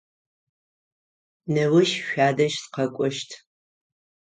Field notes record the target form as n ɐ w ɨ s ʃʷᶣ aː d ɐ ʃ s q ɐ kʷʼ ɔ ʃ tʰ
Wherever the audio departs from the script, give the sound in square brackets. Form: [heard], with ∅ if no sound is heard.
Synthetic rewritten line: n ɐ w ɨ [ʃ] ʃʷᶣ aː d ɐ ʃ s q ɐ kʷʼ ɔ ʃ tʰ